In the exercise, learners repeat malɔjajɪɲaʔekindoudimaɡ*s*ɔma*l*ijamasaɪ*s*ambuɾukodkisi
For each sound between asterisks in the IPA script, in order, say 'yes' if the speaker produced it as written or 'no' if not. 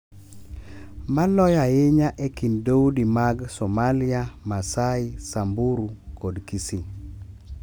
yes, yes, yes

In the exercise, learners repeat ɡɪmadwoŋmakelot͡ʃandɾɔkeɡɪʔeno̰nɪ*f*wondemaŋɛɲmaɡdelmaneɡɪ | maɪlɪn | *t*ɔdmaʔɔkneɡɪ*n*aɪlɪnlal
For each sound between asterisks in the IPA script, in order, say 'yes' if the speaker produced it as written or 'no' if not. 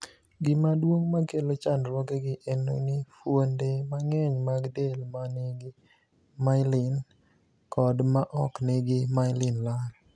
yes, no, no

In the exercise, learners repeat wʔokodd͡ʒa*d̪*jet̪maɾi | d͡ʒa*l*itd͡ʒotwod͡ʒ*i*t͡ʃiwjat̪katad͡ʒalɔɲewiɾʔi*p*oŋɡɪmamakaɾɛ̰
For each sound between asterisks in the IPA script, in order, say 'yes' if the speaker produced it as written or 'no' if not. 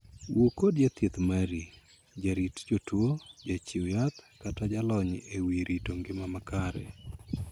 no, no, no, no

